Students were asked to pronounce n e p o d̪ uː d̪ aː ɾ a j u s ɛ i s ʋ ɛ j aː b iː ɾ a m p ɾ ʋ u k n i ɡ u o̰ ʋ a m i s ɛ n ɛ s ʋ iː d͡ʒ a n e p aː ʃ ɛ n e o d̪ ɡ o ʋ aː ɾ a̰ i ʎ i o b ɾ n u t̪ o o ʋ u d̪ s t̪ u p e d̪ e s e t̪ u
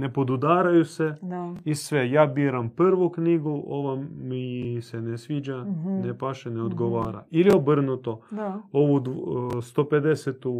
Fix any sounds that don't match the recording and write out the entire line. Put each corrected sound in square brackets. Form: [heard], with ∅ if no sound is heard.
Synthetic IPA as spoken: n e p o d̪ [u] d̪ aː ɾ a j u s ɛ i s ʋ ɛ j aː b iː ɾ a m p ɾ ʋ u k n i ɡ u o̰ ʋ a m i s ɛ n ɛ s ʋ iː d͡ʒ a n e p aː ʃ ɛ n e o d̪ ɡ o ʋ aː ɾ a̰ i [l] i o b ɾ n u t̪ o o ʋ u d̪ s t̪ [o] p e d̪ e s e t̪ u